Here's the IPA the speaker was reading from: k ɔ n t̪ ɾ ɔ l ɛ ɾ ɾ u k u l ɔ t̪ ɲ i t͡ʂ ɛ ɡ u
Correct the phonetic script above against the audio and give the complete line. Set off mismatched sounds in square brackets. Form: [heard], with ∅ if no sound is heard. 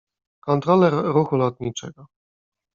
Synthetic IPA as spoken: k ɔ n t̪ ɾ ɔ l ɛ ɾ ɾ u [x] u l ɔ t̪ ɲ i t͡ʂ ɛ ɡ [ɔ]